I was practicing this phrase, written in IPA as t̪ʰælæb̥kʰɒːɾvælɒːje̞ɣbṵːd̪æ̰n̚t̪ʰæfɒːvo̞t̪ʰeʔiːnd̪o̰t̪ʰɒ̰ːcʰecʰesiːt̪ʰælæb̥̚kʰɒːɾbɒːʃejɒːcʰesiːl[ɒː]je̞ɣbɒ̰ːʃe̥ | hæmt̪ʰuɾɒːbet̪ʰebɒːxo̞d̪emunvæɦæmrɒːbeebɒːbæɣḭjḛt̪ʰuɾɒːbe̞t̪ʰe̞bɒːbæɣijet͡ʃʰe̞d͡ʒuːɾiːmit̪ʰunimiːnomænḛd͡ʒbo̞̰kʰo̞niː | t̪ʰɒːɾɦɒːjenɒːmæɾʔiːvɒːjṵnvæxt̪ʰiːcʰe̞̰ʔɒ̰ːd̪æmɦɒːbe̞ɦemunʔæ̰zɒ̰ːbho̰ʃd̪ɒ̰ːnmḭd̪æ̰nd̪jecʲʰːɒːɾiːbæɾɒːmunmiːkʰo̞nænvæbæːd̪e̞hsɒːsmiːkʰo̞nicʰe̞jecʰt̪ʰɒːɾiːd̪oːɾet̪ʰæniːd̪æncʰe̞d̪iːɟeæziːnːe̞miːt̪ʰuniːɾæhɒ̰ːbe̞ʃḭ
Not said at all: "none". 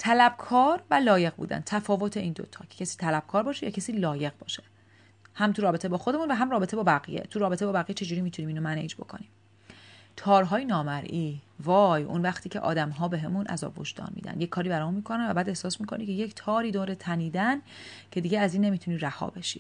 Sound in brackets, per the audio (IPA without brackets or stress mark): ɒː